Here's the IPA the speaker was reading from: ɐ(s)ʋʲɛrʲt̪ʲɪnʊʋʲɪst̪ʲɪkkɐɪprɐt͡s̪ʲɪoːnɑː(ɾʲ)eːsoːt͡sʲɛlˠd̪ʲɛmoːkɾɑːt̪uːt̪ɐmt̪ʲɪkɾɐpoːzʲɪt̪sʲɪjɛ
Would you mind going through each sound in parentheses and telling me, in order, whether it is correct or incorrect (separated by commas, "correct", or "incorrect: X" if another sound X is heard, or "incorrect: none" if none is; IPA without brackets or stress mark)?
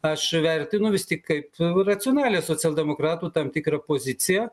incorrect: ʃ, incorrect: lʲ